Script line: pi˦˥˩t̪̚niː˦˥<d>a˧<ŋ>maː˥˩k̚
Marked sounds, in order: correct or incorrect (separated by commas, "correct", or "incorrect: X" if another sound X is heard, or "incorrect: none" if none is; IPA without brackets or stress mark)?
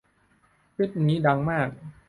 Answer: correct, correct